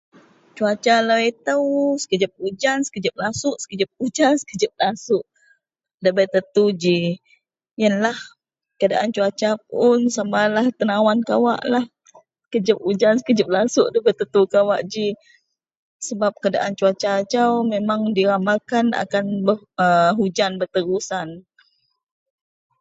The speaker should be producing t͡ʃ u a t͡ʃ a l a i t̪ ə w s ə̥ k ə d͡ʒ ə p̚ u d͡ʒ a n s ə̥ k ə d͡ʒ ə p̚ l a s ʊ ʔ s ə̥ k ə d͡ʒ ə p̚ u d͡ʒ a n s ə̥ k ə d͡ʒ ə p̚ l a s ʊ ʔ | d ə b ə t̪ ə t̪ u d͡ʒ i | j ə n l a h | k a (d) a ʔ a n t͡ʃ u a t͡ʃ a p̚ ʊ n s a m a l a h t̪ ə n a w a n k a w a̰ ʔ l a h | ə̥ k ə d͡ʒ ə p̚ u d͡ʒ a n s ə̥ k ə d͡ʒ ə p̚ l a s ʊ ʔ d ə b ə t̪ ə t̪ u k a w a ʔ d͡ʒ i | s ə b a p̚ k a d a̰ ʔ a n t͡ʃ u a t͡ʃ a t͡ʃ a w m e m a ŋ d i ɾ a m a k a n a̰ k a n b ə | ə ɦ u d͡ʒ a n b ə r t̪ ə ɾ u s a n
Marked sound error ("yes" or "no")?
no